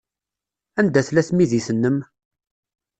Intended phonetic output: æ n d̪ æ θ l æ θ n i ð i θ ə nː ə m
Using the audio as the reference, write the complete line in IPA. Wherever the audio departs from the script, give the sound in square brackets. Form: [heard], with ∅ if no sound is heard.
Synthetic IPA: æ n d̪ æ θ l æ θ [m] i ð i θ ə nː ə m